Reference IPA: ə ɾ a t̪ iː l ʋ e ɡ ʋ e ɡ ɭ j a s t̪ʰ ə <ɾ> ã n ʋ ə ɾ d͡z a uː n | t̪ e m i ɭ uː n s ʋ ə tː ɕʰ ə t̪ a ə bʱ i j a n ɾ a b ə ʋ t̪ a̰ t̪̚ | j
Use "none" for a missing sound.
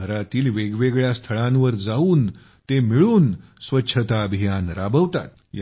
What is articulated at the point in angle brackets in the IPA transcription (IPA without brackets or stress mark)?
ɭ